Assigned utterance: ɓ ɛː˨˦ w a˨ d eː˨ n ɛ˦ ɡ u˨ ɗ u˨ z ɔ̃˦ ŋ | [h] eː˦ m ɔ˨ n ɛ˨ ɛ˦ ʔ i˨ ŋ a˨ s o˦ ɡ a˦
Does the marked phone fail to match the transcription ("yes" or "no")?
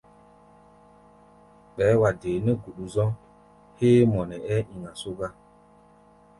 no